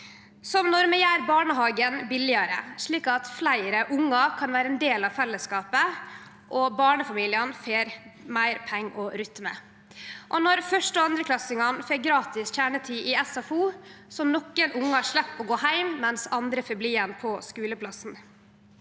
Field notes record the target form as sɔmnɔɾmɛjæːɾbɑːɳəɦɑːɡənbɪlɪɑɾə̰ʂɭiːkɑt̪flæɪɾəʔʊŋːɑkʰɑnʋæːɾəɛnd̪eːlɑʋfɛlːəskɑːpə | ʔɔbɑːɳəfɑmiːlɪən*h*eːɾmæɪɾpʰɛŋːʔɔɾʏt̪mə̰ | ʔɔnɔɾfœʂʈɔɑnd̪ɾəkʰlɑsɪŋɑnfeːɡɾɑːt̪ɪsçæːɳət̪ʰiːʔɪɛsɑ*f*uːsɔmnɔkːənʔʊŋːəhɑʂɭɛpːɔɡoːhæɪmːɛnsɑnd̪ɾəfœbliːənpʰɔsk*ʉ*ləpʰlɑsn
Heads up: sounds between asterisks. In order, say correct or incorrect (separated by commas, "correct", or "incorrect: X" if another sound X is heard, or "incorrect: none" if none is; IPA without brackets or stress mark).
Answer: incorrect: f, correct, incorrect: ʉː